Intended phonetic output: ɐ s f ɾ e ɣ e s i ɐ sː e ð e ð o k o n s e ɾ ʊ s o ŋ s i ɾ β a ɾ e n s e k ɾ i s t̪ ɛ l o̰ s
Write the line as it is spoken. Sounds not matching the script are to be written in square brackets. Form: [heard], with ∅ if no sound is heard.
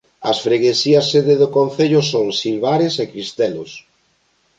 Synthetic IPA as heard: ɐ s f ɾ e ɣ e s i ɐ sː e ð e ð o k o n [θ] e [ʎ] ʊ s o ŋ s i [l] β a ɾ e [∅] s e k ɾ i s t̪ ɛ l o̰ s